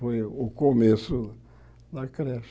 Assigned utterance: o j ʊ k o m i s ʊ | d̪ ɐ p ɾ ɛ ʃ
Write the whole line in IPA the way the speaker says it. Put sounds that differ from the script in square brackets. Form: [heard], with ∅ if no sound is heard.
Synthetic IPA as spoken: o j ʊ k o m [e] s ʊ | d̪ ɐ [k] ɾ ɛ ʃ